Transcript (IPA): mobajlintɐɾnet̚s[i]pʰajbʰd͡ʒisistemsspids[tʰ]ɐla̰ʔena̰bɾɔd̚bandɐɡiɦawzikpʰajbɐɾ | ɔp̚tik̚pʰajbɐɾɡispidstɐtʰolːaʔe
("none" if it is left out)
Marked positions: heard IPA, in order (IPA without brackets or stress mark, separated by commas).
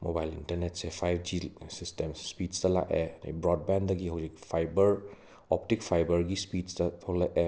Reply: e, t